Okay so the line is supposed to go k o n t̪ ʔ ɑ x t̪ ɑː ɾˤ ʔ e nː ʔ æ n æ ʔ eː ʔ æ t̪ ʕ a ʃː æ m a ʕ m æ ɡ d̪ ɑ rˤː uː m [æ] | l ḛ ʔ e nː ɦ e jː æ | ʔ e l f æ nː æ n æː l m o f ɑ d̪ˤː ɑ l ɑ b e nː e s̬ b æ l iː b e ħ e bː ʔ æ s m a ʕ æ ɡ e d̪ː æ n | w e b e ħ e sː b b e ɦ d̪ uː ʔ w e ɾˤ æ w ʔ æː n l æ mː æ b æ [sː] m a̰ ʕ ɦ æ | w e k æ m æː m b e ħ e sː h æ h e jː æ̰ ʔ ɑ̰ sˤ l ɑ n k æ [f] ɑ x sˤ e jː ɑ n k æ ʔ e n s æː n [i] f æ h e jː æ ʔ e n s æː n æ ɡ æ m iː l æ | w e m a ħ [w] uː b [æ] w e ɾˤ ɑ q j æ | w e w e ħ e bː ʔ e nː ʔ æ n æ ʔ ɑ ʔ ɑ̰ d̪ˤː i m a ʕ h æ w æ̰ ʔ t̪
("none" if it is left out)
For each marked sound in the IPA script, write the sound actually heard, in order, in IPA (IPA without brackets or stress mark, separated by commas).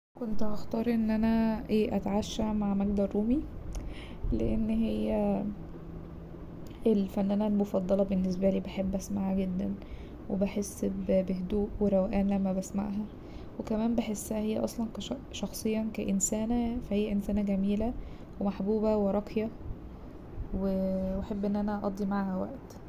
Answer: i, s, ʃ, æ, b, æ